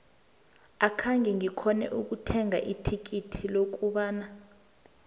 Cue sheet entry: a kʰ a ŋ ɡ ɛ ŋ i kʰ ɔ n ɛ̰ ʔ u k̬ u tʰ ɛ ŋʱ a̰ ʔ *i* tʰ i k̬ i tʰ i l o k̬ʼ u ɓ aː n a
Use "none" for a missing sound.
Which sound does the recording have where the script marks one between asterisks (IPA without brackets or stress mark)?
i